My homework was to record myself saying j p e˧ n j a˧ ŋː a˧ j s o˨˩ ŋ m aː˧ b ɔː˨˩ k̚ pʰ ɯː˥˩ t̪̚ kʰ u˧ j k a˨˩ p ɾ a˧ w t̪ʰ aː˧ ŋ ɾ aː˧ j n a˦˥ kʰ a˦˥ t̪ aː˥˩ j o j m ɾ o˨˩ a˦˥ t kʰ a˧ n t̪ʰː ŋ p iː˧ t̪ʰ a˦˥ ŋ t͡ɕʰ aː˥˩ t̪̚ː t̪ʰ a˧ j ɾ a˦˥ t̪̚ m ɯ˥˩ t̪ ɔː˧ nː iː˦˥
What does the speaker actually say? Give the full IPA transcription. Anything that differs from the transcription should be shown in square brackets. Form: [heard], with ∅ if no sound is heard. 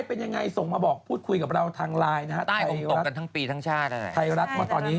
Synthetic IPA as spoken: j p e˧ n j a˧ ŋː a˧ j s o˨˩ ŋ m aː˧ b ɔː˨˩ k̚ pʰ [uː˥˩] t̪̚ kʰ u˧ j k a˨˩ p ɾ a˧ w t̪ʰ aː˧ ŋ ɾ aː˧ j n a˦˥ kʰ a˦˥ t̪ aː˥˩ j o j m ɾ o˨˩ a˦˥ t [k] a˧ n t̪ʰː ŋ p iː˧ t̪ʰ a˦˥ ŋ t͡ɕʰ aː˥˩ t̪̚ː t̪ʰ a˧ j ɾ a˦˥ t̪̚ m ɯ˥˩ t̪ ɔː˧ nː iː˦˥